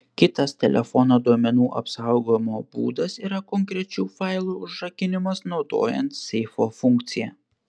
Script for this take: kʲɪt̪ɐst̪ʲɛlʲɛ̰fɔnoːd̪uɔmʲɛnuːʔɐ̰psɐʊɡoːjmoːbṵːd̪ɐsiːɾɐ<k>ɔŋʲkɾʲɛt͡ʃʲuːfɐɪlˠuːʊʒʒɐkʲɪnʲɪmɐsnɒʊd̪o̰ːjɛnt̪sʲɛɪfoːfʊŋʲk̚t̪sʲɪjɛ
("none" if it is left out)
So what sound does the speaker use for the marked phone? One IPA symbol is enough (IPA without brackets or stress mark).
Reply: k